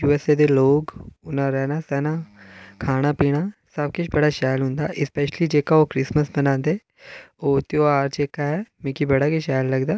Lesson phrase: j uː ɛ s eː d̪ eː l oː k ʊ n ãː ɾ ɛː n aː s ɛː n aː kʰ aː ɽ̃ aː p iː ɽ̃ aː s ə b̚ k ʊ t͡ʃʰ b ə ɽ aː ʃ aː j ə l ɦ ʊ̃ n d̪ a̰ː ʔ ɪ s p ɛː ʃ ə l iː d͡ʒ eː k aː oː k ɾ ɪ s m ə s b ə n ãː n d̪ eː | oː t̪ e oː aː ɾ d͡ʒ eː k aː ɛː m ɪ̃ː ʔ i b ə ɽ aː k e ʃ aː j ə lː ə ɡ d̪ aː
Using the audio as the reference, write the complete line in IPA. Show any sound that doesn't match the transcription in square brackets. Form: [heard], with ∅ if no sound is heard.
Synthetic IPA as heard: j uː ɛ s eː d̪ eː l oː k ʊ n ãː ɾ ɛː n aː s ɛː n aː kʰ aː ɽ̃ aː p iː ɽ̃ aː s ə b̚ k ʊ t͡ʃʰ b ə ɽ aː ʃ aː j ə l ɦ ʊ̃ n d̪ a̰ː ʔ ɪ s p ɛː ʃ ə l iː d͡ʒ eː k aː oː k ɾ ɪ s m ə s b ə n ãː n d̪ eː | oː t̪ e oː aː ɾ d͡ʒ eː k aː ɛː m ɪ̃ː [k] i b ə ɽ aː k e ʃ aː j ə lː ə ɡ d̪ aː

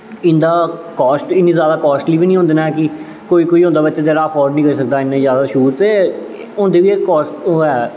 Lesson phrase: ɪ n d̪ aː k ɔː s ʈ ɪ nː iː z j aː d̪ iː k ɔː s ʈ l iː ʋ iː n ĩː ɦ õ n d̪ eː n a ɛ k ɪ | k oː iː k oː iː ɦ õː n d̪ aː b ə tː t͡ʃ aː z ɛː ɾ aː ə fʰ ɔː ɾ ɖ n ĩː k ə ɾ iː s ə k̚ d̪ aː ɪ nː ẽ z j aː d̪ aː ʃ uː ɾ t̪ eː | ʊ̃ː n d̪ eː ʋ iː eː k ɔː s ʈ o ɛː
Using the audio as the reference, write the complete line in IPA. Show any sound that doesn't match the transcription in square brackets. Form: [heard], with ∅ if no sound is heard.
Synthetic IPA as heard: ɪ n d̪ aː k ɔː s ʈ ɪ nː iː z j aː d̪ [aː] k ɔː s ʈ l iː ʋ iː n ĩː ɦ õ n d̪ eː n a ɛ k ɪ | k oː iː k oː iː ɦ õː n d̪ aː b ə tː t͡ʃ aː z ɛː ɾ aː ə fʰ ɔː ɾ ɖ n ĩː k ə ɾ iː s ə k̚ d̪ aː ɪ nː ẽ z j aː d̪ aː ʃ uː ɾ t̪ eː | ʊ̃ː n d̪ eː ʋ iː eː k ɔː s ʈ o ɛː

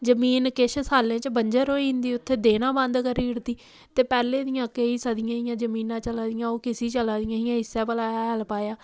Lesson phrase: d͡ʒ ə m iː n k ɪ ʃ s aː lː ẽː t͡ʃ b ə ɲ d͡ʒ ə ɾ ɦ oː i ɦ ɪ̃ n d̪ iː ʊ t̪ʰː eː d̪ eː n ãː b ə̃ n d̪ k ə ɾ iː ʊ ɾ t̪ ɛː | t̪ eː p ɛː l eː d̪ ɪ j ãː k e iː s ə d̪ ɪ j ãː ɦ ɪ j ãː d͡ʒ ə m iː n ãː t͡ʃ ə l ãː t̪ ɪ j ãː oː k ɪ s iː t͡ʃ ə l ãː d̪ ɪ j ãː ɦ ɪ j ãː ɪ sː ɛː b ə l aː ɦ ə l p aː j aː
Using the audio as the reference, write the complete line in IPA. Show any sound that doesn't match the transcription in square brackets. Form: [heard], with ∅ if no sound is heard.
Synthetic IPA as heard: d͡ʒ ə m iː n k ɪ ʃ s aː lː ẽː t͡ʃ b ə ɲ d͡ʒ ə ɾ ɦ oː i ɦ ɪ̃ n d̪ iː ʊ t̪ʰː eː d̪ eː n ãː b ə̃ n d̪ k ə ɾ iː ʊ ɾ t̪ [iː] | t̪ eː p ɛː l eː d̪ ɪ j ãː k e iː s ə d̪ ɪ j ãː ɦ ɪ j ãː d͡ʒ ə m iː n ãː t͡ʃ ə l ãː [d̪] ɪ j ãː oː k ɪ s iː t͡ʃ ə l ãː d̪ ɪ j ãː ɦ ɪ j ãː ɪ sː ɛː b ə l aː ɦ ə l p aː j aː

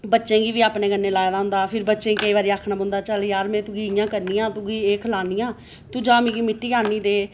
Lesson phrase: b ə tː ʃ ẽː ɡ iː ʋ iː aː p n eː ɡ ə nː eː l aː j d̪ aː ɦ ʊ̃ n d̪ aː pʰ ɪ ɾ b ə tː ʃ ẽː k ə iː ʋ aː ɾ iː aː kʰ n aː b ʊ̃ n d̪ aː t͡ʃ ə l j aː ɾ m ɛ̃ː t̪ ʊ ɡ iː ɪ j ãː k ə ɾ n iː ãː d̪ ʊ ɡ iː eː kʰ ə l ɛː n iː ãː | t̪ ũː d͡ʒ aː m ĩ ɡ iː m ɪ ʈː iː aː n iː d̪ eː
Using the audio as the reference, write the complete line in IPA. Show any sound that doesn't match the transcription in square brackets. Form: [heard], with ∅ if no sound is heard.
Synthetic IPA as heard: b ə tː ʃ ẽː ɡ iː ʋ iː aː p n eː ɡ ə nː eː l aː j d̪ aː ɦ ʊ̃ n d̪ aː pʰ ɪ ɾ b ə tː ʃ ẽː k ə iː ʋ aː ɾ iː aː kʰ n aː b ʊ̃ n d̪ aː t͡ʃ ə l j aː ɾ m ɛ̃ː t̪ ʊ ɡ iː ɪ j ãː k ə ɾ n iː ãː [t̪] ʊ ɡ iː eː kʰ ə l [aː] n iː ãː | t̪ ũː d͡ʒ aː m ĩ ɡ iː m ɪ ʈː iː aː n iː d̪ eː

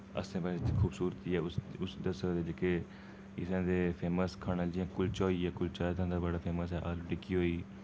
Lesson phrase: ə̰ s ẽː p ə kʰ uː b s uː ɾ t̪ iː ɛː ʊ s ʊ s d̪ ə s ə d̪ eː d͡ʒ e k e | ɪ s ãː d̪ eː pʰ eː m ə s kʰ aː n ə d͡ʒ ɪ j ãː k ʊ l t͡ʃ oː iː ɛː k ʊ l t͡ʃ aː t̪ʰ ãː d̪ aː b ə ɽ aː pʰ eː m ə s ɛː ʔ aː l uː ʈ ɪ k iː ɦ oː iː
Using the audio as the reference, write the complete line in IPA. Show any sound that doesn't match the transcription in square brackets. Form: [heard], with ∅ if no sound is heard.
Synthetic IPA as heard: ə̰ s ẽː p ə kʰ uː b s uː ɾ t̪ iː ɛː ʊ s ʊ s d̪ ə s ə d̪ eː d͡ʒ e k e | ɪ s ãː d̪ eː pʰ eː m ə s kʰ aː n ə d͡ʒ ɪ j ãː k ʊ l t͡ʃ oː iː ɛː k ʊ l t͡ʃ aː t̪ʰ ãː d̪ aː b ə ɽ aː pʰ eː m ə s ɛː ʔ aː l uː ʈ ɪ k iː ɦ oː iː

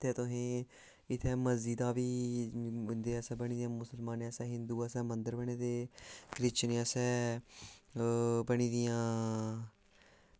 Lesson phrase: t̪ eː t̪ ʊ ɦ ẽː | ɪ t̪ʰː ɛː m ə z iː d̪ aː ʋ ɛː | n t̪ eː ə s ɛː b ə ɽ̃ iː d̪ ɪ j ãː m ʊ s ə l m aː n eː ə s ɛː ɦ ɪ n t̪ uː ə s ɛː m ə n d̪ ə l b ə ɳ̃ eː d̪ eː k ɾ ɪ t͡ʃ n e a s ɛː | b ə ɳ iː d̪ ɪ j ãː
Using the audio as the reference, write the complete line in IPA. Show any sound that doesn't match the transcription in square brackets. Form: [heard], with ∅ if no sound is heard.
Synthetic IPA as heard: t̪ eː t̪ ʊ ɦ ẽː | ɪ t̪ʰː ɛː m ə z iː d̪ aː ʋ [iː] | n [d̪] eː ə s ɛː b ə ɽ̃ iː d̪ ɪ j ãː m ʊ s ə l m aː n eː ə s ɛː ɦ ɪ n [d̪] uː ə s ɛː m ə n d̪ ə [ɾ] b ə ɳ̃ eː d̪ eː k ɾ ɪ t͡ʃ n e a s ɛː | b ə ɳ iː d̪ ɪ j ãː

